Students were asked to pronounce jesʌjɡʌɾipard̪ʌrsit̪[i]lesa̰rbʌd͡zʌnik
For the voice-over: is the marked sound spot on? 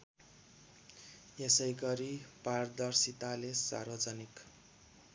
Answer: no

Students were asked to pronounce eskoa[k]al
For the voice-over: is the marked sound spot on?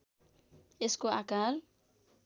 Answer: yes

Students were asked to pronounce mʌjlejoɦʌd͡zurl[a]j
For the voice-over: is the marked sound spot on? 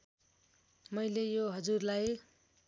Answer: yes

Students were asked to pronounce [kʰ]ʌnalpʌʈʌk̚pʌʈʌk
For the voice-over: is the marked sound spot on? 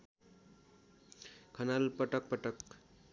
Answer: yes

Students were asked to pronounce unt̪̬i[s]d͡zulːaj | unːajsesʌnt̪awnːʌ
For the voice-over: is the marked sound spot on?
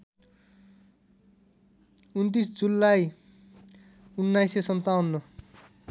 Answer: yes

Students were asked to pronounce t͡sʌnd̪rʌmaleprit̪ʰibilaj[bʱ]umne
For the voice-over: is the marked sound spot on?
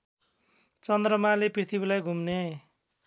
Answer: no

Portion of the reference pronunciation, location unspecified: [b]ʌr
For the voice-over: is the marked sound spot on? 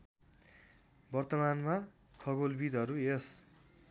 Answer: yes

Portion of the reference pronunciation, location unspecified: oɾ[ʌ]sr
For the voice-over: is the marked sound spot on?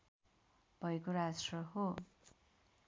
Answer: no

